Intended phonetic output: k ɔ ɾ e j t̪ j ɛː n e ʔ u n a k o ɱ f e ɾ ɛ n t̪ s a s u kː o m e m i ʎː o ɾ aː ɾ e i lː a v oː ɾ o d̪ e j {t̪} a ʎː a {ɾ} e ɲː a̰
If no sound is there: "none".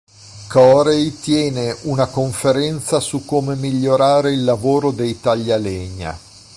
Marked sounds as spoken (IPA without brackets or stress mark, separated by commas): t̪, l